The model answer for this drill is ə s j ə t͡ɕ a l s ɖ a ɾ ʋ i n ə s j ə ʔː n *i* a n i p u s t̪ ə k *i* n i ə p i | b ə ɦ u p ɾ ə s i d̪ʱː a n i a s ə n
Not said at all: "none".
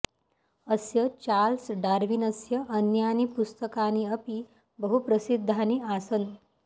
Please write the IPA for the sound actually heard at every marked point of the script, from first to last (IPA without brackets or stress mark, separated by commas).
j, a